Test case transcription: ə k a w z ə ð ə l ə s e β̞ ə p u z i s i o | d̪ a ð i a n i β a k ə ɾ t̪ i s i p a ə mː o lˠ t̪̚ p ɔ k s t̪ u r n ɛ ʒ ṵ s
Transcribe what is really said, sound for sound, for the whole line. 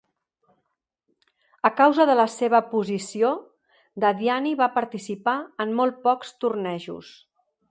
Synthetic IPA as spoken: ə k a w z ə ð ə l ə s e β̞ ə p u z i s i o | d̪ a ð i a n i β a p ə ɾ t̪ i s i p a ə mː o lˠ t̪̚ p ɔ k s t̪ u r n ɛ ʒ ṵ s